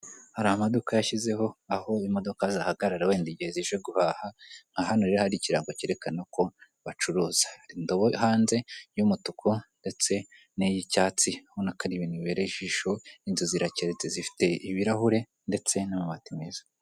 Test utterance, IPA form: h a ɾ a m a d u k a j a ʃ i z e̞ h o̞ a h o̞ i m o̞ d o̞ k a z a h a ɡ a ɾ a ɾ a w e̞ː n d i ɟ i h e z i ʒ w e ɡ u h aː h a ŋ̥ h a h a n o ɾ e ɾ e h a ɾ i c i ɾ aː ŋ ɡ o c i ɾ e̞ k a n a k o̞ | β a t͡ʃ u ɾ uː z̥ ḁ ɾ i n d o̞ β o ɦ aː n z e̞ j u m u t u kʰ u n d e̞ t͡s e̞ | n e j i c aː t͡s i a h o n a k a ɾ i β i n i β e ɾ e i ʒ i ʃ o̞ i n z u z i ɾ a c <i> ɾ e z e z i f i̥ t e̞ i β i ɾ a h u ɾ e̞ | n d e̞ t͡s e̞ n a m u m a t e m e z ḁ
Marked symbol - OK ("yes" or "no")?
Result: no